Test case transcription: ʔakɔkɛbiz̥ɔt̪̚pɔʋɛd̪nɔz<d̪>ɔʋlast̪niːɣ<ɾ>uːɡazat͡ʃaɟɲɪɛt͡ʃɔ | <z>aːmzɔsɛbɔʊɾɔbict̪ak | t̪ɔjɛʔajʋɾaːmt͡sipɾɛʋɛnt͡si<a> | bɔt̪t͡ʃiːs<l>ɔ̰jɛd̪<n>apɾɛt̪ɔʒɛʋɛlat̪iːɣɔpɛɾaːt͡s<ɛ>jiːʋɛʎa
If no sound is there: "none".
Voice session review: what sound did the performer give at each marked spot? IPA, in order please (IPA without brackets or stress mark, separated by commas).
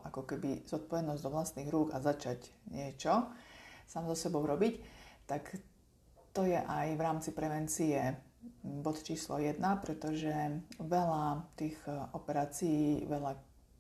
d̪, ɾ, s, ɛ, l, n, i